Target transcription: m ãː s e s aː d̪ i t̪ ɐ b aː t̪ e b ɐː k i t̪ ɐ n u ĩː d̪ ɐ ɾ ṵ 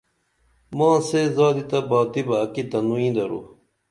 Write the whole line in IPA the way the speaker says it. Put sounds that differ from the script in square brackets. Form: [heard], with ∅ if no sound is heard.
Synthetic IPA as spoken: m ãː s e [z] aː d̪ i t̪ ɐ b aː t̪ [i] b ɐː k i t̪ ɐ n u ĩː d̪ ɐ ɾ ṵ